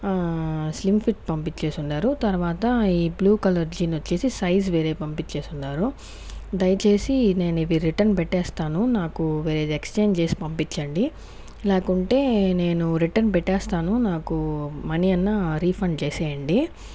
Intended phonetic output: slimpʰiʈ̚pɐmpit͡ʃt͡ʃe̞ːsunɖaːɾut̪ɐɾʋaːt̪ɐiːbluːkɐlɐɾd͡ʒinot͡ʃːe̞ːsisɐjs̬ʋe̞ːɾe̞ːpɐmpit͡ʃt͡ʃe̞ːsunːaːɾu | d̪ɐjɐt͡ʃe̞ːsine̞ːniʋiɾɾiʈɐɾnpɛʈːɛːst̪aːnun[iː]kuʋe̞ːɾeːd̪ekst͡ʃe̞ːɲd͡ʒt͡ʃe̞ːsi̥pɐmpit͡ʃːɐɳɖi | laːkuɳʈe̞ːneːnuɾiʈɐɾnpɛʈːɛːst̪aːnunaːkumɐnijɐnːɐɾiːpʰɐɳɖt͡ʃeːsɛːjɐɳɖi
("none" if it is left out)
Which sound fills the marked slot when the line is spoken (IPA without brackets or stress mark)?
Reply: aː